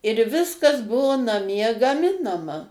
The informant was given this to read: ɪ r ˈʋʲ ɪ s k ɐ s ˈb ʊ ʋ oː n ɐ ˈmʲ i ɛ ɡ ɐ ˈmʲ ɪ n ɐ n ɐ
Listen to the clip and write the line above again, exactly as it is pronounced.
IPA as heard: ɪ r ˈʋʲ ɪ s k ɐ s ˈb ʊ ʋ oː n ɐ ˈmʲ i ɛ ɡ ɐ ˈmʲ ɪ n ɐ m ɐ